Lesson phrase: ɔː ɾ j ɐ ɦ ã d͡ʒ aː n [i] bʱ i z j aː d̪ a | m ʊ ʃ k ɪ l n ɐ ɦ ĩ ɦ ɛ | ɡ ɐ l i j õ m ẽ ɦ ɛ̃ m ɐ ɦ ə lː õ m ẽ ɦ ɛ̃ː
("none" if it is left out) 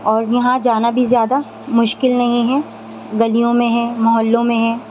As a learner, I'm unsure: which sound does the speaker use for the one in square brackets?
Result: a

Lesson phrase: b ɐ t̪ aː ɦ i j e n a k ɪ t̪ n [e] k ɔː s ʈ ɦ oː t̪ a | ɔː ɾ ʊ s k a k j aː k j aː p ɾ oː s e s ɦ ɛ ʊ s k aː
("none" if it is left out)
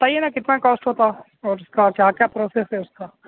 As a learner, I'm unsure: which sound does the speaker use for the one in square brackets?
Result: a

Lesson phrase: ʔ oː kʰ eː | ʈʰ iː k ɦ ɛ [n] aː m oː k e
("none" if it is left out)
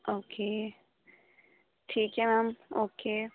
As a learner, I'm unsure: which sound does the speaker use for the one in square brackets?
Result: m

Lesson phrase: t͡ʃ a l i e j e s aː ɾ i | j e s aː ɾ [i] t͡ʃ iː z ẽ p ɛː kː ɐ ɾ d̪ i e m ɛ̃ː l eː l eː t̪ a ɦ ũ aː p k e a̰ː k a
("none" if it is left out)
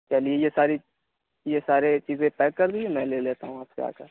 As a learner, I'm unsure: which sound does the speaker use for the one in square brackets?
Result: e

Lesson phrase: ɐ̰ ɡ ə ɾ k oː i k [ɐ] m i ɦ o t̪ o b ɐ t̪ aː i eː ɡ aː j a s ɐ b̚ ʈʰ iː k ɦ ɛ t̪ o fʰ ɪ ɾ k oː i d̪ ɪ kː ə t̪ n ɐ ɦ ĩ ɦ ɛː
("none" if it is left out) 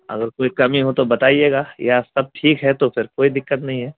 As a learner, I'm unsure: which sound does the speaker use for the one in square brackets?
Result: ɐ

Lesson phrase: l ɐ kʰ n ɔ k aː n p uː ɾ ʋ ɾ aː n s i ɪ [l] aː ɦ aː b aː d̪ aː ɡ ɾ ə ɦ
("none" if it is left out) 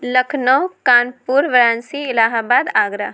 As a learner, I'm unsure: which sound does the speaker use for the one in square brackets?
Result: l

